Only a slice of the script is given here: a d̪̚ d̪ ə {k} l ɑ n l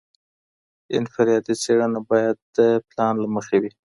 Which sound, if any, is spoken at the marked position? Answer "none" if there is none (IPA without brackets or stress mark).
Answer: p